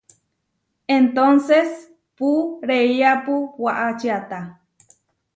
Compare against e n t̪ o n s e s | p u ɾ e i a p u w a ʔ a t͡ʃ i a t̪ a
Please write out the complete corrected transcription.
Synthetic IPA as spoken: e n t̪ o n s e s | p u ɾ e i a p u w a ʔ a t͡ʃ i a t̪ a